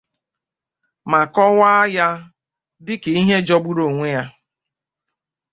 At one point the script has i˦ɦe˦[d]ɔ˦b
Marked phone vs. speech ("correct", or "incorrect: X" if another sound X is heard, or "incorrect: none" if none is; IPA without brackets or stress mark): incorrect: d͡ʒ